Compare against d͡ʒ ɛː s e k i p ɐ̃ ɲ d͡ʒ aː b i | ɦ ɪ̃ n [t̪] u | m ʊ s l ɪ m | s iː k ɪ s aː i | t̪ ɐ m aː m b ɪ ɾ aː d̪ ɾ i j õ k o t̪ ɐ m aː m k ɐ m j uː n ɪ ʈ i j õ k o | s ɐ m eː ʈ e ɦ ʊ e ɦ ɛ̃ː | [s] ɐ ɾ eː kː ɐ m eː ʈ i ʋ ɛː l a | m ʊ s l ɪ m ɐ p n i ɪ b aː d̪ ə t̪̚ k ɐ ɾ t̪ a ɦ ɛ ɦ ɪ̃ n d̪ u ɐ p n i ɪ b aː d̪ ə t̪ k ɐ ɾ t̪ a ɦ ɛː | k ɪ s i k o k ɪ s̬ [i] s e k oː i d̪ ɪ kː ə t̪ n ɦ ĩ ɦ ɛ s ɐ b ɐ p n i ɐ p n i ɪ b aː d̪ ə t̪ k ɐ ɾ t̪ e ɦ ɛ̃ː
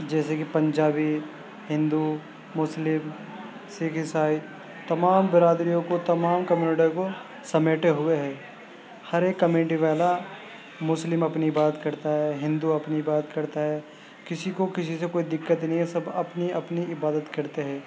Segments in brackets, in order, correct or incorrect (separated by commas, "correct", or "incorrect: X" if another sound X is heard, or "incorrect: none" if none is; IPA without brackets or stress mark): incorrect: d̪, incorrect: h, correct